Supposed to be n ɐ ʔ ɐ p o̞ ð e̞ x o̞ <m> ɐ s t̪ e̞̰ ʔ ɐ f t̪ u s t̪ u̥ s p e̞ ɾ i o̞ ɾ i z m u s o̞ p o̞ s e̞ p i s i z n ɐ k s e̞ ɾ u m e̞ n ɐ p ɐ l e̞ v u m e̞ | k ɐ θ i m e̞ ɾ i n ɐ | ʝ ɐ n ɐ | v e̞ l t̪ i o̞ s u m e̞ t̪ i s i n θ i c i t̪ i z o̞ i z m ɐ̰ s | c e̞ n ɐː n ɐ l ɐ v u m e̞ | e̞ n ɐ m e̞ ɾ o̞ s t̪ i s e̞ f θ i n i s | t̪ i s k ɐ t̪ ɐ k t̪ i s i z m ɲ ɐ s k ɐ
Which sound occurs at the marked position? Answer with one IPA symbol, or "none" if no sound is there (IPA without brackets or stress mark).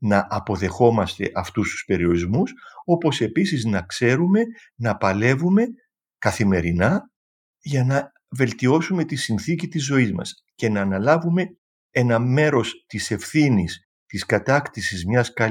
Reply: m